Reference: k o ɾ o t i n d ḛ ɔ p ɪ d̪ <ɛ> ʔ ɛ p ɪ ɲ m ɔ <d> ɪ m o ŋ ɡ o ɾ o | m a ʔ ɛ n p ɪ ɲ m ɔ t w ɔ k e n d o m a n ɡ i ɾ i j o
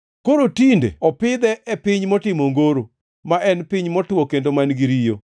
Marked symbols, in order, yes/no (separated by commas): yes, no